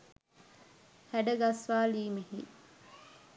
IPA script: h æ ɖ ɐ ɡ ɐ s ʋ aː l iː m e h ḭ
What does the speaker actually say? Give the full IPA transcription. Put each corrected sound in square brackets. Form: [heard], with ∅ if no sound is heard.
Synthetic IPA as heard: h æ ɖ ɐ ɡ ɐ s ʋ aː l iː m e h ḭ